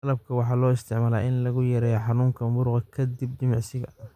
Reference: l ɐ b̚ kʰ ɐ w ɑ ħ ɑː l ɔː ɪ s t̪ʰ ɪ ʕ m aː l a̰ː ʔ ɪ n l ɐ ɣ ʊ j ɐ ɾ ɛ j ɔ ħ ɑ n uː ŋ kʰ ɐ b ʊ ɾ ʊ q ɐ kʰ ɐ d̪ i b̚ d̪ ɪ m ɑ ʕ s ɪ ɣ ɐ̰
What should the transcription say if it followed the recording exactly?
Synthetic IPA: l ɐ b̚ kʰ ɐ w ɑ ħ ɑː l ɔː ɪ s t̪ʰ ɪ ʕ m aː l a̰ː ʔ ɪ n l ɐ ɣ ʊ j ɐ ɾ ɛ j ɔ ħ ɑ n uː ŋ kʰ ɐ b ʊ ɾ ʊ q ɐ kʰ ɐ d̪ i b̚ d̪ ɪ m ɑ ʕ s ɪ ɣ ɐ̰